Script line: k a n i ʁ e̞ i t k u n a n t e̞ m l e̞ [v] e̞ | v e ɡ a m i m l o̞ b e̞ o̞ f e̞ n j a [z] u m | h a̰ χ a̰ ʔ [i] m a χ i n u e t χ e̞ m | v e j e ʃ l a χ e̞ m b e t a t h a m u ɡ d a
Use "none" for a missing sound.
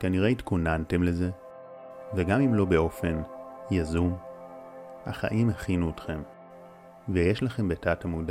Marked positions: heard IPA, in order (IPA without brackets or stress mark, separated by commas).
z, z, i